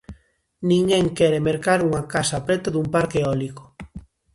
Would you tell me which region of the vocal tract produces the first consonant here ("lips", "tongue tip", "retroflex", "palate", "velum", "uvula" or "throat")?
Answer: tongue tip